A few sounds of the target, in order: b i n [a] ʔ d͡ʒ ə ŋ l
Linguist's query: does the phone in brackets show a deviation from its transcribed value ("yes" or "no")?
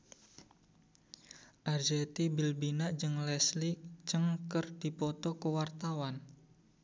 no